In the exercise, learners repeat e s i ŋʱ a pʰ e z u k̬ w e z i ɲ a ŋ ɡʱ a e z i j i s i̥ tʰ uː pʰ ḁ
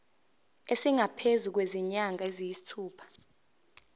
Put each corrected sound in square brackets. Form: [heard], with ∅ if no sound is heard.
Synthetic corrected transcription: e s i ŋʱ a pʰ e z u k̬ w e z i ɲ a ŋ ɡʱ a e z i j i s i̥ tʰ uː pʰ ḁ